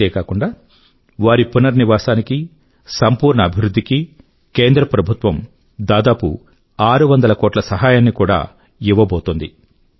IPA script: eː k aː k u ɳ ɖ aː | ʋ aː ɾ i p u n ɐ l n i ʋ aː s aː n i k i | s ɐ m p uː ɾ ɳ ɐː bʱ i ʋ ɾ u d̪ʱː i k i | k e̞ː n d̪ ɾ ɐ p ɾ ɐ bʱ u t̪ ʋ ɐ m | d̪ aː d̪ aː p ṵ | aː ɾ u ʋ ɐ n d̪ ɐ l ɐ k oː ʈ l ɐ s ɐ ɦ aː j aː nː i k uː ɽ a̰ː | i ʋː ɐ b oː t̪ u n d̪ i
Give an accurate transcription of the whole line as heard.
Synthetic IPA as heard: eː k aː k u ɳ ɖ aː | ʋ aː ɾ i p u n ɐ ɾ n i ʋ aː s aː n i k i | s ɐ m p uː ɾ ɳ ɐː bʱ i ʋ ɾ u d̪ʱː i k i | k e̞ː n d̪ ɾ ɐ p ɾ ɐ bʱ u t̪ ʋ ɐ m | d̪ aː d̪ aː p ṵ | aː ɾ u ʋ ɐ n d̪ ɐ l ɐ k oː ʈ l ɐ s ɐ ɦ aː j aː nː i k uː ɽ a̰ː | i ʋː ɐ b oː t̪ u n d̪ i